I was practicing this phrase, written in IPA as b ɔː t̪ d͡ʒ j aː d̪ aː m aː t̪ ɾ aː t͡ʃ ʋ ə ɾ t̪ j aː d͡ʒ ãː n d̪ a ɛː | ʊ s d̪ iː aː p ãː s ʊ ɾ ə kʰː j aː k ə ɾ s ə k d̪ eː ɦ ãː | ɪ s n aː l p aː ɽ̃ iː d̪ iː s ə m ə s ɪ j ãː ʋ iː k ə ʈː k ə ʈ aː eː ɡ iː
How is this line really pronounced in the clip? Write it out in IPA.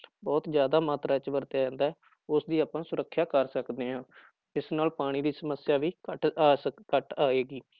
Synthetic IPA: b ɔː t̪ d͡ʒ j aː d̪ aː m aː t̪ ɾ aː t͡ʃ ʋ ə ɾ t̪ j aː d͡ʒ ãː n d̪ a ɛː | ʊ s d̪ iː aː p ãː s ʊ ɾ ə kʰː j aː k ə ɾ s ə k d̪ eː ɦ ãː | ɪ s n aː l p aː ɽ̃ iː d̪ iː s ə m ə s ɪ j aː ʋ iː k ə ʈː k ə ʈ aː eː ɡ iː